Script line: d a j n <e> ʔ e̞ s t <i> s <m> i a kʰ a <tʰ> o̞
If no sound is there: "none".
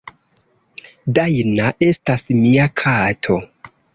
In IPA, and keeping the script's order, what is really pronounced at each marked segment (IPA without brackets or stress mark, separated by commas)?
a, a, m, tʰ